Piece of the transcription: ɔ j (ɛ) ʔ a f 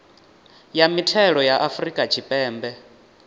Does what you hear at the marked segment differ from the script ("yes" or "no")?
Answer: yes